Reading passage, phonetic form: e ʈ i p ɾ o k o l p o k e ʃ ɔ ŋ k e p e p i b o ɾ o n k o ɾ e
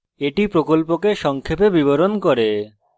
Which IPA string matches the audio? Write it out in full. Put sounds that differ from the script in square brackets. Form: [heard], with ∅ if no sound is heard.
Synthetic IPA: e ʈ i p ɾ o k o l p o k e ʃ ɔ ŋ [kʰ] e p e [b] i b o ɾ o n k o ɾ e